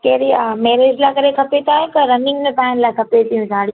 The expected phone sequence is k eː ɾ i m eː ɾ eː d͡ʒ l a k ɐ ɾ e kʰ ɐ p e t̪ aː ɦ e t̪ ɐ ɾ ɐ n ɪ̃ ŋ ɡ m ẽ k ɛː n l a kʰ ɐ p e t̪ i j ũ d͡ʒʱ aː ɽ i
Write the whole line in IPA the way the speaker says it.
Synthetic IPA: k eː ɾ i m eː ɾ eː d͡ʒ l a k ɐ ɾ e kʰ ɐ p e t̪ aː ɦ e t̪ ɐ ɾ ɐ n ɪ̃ ŋ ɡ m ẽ p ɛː n l a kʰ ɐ p e t̪ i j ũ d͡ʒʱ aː ɽ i